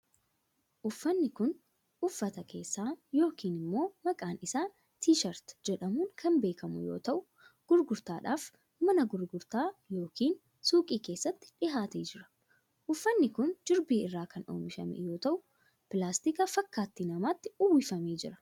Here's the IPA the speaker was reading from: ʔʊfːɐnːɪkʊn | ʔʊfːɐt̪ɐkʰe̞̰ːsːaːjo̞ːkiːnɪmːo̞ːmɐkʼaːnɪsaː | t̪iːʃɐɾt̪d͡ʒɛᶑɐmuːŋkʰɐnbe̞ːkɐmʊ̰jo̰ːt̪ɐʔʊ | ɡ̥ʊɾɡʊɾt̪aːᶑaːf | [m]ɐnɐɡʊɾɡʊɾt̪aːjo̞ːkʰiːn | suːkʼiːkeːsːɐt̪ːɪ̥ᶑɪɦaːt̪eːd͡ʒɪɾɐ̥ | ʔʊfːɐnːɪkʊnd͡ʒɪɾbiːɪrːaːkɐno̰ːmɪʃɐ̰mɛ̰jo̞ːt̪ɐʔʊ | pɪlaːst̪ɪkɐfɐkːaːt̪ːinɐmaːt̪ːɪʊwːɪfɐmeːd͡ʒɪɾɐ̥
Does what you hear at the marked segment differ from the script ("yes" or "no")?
no